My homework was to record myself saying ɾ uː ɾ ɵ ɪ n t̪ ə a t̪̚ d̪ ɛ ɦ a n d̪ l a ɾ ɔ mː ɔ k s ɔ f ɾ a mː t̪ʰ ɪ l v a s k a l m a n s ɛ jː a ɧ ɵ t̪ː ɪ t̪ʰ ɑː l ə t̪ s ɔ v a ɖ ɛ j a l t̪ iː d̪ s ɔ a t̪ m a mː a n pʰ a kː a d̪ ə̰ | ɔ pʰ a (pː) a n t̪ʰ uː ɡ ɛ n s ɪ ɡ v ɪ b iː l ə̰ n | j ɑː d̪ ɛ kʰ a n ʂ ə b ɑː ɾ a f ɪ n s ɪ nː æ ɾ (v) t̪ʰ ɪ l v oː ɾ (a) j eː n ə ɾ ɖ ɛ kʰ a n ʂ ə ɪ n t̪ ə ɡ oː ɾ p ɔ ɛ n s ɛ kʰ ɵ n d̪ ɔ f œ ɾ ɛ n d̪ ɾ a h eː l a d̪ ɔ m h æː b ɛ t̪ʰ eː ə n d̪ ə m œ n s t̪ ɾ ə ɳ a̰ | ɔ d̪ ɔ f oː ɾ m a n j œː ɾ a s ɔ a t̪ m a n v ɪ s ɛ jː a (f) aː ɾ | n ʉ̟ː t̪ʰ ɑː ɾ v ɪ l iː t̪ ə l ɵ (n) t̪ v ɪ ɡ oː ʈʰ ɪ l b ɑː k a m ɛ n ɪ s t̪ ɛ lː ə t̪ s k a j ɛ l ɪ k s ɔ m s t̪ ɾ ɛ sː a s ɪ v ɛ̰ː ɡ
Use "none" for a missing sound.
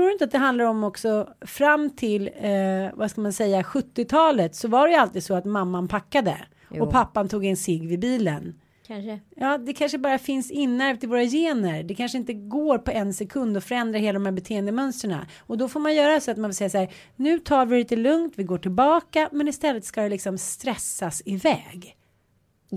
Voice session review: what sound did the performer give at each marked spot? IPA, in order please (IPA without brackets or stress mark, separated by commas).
pː, v, a, s, ŋ